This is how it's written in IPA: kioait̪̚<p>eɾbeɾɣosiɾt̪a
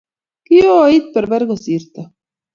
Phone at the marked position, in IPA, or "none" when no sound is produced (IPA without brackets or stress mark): p